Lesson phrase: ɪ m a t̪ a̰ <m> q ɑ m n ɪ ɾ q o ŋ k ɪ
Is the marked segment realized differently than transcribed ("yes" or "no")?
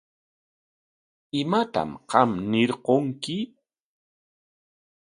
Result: no